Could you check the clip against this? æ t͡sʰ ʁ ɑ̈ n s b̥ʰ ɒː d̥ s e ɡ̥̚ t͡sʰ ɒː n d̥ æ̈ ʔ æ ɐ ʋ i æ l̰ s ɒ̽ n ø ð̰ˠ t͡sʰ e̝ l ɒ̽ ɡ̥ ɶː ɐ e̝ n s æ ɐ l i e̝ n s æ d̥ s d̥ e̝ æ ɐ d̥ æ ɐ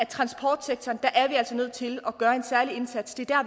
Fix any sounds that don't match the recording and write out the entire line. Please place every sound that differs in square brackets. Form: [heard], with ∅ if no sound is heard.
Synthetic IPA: æ t͡sʰ ʁ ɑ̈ n s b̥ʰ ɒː d̥ s e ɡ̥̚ t͡sʰ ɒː n d̥ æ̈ ʔ æ ɐ ʋ i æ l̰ s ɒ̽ n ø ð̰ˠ t͡sʰ e̝ l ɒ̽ ɡ̥ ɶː ɐ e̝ n s æ ɐ l i e̝ n s æ d̥ s d̥ e̝ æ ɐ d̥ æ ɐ

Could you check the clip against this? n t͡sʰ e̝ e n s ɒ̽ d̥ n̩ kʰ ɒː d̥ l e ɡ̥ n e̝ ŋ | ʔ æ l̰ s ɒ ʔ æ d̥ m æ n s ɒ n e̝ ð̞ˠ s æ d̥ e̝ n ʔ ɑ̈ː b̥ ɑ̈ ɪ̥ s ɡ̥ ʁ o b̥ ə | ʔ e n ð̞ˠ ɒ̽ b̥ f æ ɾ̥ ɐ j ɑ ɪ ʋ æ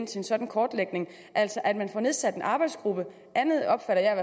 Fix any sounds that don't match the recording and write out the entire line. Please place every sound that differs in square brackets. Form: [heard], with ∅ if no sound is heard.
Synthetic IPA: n t͡sʰ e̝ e n s ɒ̽ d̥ n̩ kʰ ɒː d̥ l e ɡ̥ n e̝ ŋ | ʔ æ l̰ s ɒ ʔ æ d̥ m æ n [f] ɒ n e̝ ð̞ˠ s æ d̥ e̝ n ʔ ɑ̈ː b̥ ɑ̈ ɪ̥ s ɡ̥ ʁ [u] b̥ ə | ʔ [æ] n ð̞ˠ ɒ̽ b̥ f æ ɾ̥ ɐ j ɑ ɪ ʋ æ

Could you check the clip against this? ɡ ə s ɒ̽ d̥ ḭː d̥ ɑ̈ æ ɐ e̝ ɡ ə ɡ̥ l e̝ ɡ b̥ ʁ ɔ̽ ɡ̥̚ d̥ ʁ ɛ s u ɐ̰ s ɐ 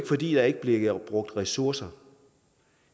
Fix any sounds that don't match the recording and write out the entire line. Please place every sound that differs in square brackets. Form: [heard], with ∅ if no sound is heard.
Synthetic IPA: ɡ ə [f] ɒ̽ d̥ ḭː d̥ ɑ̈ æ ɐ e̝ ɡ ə [b̥] l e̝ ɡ b̥ ʁ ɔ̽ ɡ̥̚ d̥ ʁ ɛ s u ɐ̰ s ɐ

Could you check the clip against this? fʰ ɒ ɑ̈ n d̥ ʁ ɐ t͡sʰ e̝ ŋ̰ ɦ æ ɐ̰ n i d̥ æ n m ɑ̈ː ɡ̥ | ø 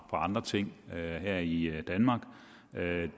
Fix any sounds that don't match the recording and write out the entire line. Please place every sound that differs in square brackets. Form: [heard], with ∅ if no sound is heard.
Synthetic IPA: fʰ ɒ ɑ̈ n d̥ ʁ ɐ t͡sʰ e̝ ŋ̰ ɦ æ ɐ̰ [∅] i d̥ æ n m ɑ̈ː ɡ̥ | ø

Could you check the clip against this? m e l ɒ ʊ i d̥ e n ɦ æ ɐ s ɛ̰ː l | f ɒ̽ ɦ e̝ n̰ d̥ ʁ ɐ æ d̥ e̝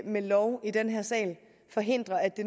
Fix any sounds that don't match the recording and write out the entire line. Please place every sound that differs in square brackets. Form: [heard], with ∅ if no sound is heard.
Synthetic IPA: m e l ɒ ʊ i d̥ e n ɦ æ ɐ s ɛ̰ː l | f ɒ̽ ɦ e̝ n̰ d̥ ʁ ɐ æ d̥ e̝

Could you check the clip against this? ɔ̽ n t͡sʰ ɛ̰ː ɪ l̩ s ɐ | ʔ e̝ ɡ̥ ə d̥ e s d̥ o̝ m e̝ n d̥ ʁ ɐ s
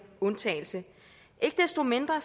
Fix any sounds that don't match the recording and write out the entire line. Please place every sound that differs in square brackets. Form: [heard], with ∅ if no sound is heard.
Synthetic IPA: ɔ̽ n t͡sʰ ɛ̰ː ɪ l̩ s [ə] | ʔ e̝ ɡ̥ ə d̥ e s d̥ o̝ m e̝ n d̥ ʁ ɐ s

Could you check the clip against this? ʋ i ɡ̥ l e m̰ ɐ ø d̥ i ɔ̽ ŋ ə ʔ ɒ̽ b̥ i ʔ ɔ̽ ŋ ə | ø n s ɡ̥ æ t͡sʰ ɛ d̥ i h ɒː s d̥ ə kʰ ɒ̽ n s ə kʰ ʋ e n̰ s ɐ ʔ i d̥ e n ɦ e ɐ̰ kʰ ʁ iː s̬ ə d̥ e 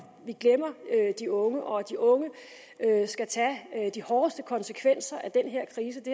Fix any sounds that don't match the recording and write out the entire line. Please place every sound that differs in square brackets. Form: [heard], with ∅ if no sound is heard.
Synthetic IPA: ʋ i ɡ̥ l e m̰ ɐ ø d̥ i ɔ̽ ŋ ə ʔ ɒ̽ [d̥] i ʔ ɔ̽ ŋ ə | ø [∅] s ɡ̥ æ t͡sʰ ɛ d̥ i h ɒː s d̥ ə kʰ ɒ̽ n s ə kʰ ʋ e n̰ s ɐ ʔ [æ] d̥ e n ɦ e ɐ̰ kʰ ʁ iː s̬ ə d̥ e

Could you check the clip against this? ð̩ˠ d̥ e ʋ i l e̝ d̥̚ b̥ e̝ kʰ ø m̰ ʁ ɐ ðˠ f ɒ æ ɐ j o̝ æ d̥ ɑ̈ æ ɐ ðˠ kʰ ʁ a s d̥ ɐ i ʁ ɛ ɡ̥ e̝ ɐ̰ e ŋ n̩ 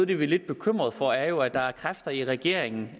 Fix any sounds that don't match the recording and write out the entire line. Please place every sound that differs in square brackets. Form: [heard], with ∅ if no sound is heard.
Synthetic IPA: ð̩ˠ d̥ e ʋ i l e̝ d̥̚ b̥ e̝ kʰ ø m̰ ʁ ɐ ðˠ f ɒ æ ɐ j o̝ æ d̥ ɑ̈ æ ɐ [∅] kʰ ʁ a [f] d̥ ɐ i ʁ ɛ ɡ̥ e̝ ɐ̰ e ŋ n̩

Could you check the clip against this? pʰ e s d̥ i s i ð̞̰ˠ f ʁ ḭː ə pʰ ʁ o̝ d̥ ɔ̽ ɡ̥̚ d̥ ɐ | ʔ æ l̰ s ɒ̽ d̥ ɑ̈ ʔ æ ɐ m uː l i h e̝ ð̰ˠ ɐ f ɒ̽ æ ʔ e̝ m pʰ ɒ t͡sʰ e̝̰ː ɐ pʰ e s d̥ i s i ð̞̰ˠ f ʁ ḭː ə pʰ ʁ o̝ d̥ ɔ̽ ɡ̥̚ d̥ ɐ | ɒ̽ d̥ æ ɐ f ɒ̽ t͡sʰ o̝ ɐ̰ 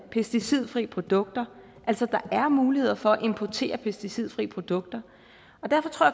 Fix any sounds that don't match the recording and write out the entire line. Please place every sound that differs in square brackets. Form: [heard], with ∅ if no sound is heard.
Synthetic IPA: pʰ e s d̥ i s i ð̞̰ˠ f ʁ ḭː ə pʰ ʁ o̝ d̥ ɔ̽ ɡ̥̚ d̥ ɐ | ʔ æ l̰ s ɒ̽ d̥ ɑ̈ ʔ æ ɐ m uː l i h e̝ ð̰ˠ ɐ f ɒ̽ æ ʔ e̝ m pʰ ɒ t͡sʰ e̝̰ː ɐ pʰ e s d̥ i s i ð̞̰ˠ f ʁ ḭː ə pʰ ʁ o̝ d̥ ɔ̽ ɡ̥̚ d̥ ɐ | ɒ̽ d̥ æ ɐ f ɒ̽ t͡sʰ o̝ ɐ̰

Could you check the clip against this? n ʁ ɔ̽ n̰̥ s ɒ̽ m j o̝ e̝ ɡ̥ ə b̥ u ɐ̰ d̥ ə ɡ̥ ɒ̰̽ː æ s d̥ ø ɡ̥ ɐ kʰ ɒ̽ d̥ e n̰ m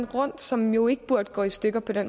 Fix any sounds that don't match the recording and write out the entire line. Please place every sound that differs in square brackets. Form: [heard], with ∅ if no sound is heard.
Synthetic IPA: n ʁ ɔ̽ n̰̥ s ɒ̽ m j o̝ e̝ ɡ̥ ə b̥ u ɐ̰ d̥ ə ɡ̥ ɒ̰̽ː [i] s d̥ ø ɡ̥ ɐ [pʰ] ɒ̽ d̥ e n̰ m

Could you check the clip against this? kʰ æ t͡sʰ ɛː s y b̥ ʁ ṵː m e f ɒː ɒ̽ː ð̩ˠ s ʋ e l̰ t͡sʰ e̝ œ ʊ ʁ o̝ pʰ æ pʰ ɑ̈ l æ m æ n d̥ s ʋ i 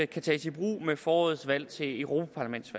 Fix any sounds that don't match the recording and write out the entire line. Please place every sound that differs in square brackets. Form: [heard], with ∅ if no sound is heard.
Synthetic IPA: kʰ æ t͡sʰ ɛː s [i] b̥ ʁ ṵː m e f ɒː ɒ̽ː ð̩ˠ s ʋ [æ] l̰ t͡sʰ e̝ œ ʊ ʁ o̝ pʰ æ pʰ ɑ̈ l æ m [e] n d̥ s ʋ [æ]

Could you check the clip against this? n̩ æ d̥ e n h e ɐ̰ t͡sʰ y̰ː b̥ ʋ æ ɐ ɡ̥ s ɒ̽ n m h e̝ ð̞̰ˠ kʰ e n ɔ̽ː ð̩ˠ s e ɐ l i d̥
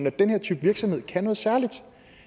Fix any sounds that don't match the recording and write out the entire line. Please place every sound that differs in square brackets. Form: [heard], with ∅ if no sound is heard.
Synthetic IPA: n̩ æ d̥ e n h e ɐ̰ t͡sʰ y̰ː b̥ ʋ [i] ɐ ɡ̥ s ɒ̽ [∅] m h e̝ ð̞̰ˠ kʰ [æ] n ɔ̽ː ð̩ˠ s [æ] ɐ l i d̥

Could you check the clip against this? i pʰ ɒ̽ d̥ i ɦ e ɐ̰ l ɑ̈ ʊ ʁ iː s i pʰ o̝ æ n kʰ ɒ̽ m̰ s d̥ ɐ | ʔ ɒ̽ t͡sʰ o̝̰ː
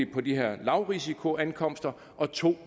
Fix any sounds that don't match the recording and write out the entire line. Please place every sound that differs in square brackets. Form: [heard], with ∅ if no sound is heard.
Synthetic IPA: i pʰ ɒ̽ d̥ i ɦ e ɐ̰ l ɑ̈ ʊ ʁ [i] s i [kʰ] o̝ æ n kʰ ɒ̽ m̰ s d̥ ɐ | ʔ ɒ̽ t͡sʰ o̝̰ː

